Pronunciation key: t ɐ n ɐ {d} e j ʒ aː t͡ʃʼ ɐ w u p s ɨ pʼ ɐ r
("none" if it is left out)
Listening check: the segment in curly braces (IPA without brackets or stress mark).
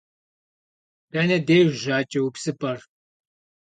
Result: d